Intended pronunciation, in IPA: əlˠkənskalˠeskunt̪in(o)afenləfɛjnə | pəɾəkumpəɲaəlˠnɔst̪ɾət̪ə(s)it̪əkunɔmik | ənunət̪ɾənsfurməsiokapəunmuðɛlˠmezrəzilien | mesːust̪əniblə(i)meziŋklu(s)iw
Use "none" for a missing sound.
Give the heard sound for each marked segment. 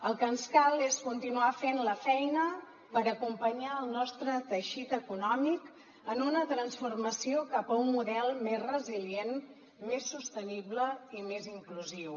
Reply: u, ʃ, i, z

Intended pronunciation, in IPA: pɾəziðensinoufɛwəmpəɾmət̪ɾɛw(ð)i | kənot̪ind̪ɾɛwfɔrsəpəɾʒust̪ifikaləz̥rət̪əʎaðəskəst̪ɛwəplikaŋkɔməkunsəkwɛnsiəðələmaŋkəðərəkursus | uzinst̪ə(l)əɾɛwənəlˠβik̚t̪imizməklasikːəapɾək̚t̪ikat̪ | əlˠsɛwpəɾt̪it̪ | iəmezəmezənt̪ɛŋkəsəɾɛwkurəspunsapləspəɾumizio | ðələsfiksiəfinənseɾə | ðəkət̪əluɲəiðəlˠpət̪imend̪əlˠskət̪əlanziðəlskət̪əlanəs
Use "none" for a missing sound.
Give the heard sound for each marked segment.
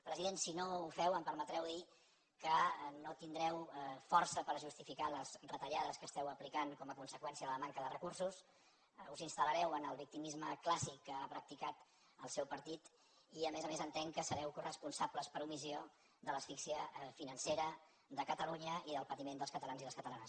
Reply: ð, l

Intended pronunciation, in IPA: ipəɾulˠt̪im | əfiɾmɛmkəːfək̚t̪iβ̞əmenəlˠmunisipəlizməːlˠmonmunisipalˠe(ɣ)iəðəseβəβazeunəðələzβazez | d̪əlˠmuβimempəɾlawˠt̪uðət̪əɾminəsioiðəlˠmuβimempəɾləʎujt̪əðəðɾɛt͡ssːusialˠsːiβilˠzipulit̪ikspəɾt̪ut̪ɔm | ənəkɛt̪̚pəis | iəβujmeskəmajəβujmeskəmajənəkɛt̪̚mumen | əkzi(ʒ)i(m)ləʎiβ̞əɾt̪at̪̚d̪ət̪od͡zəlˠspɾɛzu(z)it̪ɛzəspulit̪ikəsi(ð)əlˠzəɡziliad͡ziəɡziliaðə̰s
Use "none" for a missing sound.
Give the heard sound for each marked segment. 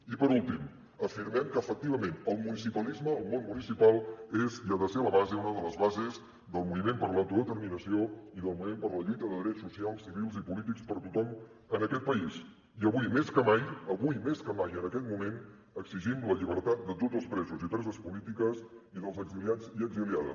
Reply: z, ʒ, m, z, ð

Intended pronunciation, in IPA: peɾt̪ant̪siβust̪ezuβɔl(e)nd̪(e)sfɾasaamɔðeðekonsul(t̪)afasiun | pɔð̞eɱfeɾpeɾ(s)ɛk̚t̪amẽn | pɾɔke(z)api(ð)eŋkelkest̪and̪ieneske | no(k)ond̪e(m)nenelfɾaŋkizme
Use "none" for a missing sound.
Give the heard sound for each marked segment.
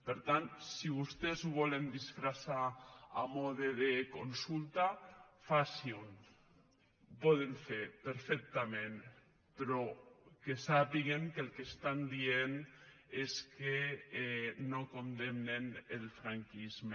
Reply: e, i, t̪, f, s, ɣ, k, m

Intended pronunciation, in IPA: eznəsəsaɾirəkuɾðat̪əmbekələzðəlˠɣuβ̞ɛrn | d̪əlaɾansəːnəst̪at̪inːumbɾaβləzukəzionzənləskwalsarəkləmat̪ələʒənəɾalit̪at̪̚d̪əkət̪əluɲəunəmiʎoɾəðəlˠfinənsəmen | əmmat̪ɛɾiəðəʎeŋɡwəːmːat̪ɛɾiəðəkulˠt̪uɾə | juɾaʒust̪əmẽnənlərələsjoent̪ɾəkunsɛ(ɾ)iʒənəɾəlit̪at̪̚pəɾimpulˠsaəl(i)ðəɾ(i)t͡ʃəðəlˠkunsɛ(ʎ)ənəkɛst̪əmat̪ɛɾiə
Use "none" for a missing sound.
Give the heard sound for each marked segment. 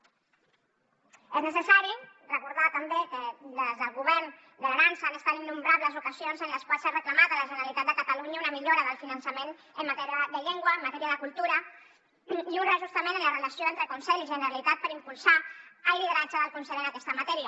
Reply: ʎ, i, a, ʎ

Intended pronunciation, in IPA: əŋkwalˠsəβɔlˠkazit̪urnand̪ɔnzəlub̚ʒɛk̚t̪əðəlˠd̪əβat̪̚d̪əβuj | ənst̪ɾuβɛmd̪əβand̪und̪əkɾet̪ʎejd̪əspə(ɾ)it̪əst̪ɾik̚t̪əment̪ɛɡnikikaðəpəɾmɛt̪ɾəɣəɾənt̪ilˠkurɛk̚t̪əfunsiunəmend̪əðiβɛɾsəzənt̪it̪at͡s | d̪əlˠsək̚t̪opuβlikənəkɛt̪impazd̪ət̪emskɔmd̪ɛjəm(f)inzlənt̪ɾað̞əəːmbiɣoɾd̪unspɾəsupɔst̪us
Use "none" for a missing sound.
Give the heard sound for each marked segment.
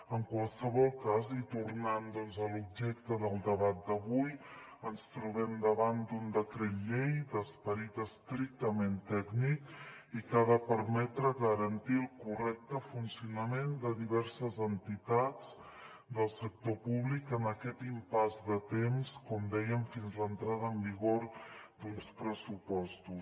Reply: ɾ, f

